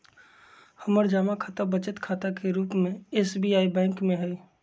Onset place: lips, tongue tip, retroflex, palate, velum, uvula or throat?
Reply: throat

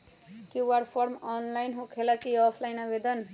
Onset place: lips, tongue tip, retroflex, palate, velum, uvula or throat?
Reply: velum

